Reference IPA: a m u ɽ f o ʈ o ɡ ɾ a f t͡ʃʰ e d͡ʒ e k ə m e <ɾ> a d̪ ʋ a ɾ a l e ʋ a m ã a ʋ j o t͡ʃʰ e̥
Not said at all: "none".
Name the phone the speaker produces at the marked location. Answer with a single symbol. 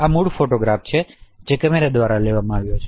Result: ɾ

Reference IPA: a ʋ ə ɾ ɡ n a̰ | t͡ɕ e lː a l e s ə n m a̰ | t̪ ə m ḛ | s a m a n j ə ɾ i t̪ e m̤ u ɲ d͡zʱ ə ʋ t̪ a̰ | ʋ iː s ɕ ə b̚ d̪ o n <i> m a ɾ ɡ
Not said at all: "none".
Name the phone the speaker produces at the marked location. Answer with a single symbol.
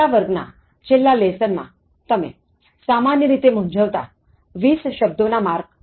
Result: a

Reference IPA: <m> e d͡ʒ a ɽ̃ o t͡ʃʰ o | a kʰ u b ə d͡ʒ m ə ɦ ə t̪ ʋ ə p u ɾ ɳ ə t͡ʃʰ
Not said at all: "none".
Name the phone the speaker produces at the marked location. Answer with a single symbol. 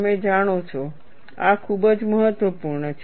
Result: m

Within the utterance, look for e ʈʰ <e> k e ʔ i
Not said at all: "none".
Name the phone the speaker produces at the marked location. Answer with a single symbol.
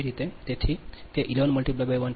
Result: i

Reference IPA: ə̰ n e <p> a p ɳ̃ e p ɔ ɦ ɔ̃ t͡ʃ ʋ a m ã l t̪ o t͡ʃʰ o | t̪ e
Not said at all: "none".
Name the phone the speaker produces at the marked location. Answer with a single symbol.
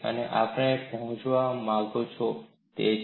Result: ʔ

